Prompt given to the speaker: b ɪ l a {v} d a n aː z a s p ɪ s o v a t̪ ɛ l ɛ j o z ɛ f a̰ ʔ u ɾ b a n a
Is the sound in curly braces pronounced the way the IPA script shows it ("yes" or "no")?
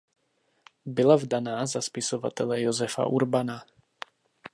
yes